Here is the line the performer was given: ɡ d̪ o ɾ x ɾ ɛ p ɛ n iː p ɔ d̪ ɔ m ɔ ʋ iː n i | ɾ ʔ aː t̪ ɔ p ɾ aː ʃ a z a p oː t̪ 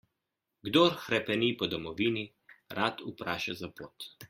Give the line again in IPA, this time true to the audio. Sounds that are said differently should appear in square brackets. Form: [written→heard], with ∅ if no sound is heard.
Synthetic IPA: ɡ d̪ o ɾ x ɾ ɛ p ɛ n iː p ɔ d̪ ɔ m ɔ ʋ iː n i | ɾ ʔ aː t̪ [ɔ→u] p ɾ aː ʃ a z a p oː t̪